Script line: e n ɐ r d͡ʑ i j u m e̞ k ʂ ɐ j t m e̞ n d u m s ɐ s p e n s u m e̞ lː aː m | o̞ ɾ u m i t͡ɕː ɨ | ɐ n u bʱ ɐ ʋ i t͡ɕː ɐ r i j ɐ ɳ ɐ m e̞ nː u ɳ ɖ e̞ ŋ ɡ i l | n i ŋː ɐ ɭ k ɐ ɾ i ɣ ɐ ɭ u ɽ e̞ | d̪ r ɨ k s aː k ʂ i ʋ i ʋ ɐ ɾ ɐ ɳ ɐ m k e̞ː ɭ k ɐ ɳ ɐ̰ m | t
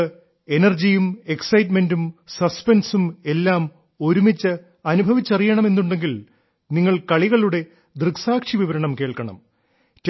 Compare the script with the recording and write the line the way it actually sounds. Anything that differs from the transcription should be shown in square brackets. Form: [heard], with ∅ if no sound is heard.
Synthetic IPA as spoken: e n ɐ r d͡ʑ i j u m e̞ k [s] ɐ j t m e̞ n d u m s ɐ s p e n s u m e̞ lː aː m | o̞ ɾ u m i t͡ɕː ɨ | ɐ n u bʱ ɐ ʋ i t͡ɕː ɐ r i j ɐ ɳ ɐ m e̞ nː u ɳ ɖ e̞ ŋ ɡ i l | n i ŋː ɐ ɭ k ɐ [ɭ] i ɣ ɐ ɭ u ɽ e̞ | d̪ r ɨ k s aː k ʂ i ʋ i ʋ ɐ ɾ ɐ ɳ ɐ m k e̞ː ɭ k ɐ ɳ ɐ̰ m | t